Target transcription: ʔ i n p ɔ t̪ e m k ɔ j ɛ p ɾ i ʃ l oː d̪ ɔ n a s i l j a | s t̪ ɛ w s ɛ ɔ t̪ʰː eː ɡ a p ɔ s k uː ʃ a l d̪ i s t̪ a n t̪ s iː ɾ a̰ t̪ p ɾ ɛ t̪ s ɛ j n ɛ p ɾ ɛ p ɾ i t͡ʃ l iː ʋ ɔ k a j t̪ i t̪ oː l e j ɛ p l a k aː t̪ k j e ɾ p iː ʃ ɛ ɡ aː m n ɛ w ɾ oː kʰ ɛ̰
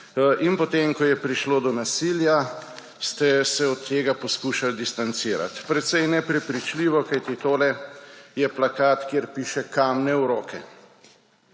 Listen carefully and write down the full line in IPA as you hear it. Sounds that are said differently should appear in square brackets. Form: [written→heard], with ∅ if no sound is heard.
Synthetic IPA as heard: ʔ i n p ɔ t̪ e m k ɔ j ɛ p ɾ i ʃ l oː d̪ ɔ n a s i l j a | s t̪ ɛ [w→∅] s ɛ ɔ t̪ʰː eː ɡ a p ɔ s k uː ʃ a l d̪ i s t̪ a n t̪ s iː ɾ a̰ t̪ p ɾ ɛ t̪ s ɛ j n ɛ p ɾ ɛ p ɾ i t͡ʃ l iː ʋ ɔ k a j t̪ i t̪ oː l [e→ɛ] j ɛ p l a k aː t̪ k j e ɾ p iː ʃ ɛ [ɡ→k] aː m n ɛ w ɾ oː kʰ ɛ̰